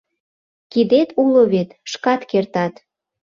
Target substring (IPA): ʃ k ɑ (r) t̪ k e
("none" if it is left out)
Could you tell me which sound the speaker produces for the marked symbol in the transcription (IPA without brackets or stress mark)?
none